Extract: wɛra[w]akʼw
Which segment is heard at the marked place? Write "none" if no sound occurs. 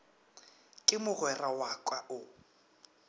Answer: w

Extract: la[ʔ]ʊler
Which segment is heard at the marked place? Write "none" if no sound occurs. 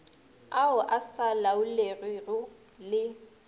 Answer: none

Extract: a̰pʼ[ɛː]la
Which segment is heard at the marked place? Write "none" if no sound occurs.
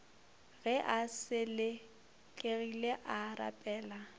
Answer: ɛː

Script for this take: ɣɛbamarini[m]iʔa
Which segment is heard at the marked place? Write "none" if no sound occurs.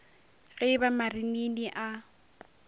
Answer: n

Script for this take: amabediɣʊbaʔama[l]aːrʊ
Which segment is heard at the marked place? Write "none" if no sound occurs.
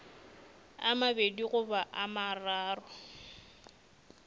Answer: r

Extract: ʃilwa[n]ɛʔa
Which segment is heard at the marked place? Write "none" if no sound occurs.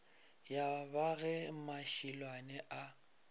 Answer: n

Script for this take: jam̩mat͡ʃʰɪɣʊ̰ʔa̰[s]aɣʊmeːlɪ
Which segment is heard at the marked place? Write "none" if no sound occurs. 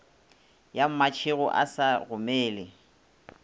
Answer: s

